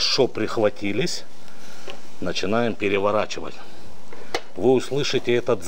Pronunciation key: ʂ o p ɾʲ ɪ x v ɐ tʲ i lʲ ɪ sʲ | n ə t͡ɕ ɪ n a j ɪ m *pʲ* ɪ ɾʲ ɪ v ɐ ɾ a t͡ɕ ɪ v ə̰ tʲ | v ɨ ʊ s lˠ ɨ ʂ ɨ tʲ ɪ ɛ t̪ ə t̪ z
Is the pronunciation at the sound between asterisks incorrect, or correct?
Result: correct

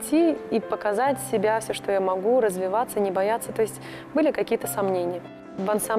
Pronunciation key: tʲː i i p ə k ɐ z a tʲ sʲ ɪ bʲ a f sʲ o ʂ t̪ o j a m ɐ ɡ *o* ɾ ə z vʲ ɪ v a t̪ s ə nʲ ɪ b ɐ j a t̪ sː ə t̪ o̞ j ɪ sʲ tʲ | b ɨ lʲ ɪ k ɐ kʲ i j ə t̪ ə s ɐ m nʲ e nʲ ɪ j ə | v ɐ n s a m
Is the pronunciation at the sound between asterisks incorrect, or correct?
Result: incorrect: u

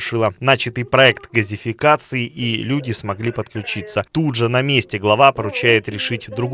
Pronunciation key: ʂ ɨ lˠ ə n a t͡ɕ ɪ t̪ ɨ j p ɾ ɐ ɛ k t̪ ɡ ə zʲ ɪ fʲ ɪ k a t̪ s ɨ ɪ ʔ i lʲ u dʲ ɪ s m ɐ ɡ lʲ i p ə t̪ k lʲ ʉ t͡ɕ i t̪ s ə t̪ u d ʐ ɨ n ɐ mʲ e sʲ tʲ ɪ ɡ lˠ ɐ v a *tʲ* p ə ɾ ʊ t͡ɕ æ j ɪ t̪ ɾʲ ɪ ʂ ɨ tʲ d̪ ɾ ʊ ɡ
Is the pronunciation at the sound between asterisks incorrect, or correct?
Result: incorrect: none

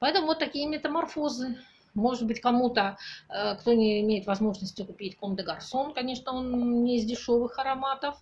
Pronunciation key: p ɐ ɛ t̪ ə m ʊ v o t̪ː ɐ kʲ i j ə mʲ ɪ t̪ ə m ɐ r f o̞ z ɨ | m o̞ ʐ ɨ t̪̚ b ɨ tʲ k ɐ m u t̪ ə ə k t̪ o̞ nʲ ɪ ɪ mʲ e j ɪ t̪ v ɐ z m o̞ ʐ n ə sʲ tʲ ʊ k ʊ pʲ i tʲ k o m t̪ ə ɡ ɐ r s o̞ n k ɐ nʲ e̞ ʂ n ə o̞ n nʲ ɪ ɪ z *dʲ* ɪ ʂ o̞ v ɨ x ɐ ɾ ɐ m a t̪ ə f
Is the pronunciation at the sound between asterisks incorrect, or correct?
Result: correct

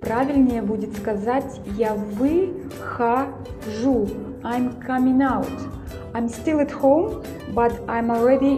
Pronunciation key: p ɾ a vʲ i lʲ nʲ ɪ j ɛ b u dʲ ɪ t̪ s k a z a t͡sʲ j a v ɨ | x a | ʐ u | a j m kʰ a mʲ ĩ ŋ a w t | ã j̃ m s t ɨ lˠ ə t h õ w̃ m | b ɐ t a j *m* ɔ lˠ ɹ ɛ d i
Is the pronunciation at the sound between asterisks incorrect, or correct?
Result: correct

